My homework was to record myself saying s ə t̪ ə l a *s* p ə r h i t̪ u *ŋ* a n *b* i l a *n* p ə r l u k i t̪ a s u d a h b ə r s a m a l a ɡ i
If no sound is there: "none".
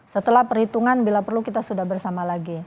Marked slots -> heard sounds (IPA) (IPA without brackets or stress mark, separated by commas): h, ŋ, b, none